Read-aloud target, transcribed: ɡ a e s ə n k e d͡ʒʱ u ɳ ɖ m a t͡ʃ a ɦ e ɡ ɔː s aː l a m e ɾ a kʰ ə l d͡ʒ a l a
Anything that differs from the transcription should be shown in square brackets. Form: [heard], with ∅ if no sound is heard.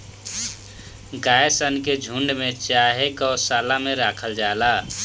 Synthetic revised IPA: ɡ a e s ə n k e d͡ʒʱ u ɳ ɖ m [e] t͡ʃ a ɦ e [k] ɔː s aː l a m e ɾ a kʰ ə l d͡ʒ a l a